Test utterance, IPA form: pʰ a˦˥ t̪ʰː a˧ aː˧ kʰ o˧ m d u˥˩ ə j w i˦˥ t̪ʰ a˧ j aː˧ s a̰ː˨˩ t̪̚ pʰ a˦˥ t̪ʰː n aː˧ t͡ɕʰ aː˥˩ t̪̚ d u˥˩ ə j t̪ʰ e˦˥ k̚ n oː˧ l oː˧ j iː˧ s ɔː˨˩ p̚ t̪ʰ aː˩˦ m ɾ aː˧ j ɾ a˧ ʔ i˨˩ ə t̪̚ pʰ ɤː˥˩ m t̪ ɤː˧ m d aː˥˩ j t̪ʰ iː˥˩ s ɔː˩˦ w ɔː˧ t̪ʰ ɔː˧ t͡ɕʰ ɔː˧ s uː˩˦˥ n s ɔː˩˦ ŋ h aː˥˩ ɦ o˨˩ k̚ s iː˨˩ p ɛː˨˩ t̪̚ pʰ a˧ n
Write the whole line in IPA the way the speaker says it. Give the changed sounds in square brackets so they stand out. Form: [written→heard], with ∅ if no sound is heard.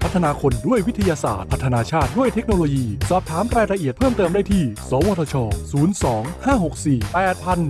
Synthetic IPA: pʰ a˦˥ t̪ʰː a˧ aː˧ kʰ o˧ [m→n] d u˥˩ ə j w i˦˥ t̪ʰ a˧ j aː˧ s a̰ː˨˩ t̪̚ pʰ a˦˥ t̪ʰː n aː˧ t͡ɕʰ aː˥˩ t̪̚ d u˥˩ ə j t̪ʰ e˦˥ k̚ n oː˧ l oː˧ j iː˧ s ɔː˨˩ p̚ t̪ʰ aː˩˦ m ɾ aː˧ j ɾ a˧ ʔ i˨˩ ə t̪̚ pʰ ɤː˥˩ m t̪ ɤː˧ m d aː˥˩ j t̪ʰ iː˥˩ s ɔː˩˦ w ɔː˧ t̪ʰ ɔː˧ t͡ɕʰ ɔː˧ s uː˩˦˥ n s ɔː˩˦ ŋ h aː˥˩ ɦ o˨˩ k̚ s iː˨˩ p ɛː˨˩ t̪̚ pʰ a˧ n